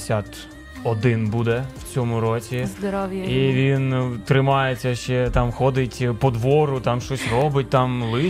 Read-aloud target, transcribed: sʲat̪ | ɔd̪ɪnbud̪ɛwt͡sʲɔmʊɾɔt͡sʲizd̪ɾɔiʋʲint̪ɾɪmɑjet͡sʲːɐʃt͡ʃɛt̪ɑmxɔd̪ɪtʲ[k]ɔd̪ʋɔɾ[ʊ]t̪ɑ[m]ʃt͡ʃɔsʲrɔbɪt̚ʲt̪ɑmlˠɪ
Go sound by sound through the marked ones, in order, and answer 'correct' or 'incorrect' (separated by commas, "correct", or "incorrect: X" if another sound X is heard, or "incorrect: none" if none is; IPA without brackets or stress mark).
incorrect: p, correct, correct